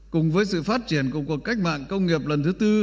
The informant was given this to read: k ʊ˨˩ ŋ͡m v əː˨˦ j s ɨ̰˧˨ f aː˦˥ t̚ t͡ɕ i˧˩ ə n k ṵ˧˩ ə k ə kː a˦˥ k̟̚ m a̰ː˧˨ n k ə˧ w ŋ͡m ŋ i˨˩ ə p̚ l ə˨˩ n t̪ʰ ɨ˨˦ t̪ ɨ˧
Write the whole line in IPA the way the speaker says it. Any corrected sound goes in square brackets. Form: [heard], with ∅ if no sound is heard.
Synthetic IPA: k ʊ˨˩ ŋ͡m v əː˨˦ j s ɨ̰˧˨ f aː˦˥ t̚ t͡ɕ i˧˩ ə n k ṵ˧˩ ə k ə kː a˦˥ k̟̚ m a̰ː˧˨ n k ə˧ w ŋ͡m ŋ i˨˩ ə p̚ l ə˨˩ n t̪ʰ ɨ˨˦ t̪ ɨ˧